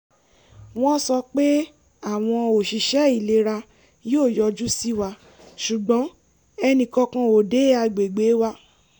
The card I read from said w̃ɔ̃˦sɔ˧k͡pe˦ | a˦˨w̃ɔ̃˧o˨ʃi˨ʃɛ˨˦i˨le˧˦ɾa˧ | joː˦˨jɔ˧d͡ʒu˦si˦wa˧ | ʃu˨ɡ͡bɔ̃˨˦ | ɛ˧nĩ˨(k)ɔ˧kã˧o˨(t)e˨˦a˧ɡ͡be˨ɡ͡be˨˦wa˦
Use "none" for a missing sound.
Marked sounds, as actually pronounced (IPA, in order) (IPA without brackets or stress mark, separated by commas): k, d